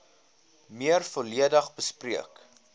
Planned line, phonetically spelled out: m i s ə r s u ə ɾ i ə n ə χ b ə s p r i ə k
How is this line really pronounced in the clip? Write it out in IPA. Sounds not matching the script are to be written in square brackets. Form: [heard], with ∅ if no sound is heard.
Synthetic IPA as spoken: m i [∅] ə r [f] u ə [l] i ə [d] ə χ b ə s p r i ə k